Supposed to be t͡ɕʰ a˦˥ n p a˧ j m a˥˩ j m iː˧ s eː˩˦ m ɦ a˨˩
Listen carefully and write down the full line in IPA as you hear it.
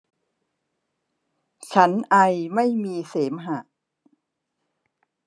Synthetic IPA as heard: t͡ɕʰ a˦˥ n ʔ a˧ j m a˥˩ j m iː˧ s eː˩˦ m ɦ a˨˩